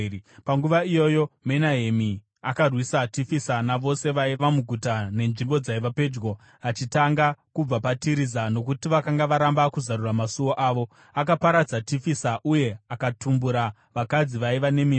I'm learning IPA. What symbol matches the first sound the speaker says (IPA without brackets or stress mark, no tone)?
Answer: p